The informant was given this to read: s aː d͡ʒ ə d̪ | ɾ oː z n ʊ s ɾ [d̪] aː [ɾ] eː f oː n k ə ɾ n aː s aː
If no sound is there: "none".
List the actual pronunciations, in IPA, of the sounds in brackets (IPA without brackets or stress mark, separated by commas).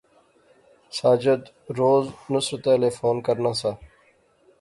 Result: t̪, l